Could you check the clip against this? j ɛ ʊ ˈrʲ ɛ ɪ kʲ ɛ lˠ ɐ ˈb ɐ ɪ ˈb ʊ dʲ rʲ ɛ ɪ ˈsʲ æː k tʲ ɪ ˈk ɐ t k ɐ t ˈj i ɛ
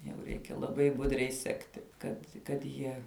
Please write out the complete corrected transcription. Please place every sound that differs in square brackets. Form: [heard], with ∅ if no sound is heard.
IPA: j ɛ ʊ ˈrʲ ɛ ɪ kʲ ɛ lˠ ɐ ˈb ɐ ɪ ˈb ʊ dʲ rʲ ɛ ɪ ˈsʲ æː k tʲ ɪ ˈk ɐ t k ɐ t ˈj i ɛ